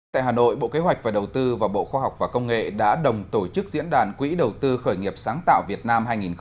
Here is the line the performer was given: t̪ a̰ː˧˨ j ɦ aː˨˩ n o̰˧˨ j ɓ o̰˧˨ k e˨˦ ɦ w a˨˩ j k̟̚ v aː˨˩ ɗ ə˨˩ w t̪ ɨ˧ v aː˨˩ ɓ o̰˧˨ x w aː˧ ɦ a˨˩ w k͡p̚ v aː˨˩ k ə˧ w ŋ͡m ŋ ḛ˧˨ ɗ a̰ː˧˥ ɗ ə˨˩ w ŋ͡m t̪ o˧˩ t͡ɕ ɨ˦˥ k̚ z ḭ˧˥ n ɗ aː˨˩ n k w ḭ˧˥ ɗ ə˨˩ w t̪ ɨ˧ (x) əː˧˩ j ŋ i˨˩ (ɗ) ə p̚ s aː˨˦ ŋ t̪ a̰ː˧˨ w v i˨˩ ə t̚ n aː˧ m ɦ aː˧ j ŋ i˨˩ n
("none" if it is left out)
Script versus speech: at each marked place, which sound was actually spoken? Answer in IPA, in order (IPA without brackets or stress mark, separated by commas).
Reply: x, none